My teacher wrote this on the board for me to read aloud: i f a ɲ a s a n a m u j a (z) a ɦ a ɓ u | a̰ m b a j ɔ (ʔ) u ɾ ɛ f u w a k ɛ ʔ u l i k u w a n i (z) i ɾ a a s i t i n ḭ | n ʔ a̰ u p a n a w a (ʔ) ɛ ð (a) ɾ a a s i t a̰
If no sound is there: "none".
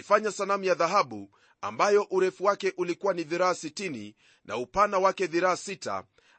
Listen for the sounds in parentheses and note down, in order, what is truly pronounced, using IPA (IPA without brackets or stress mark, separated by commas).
ð, ʔ, ð, k, i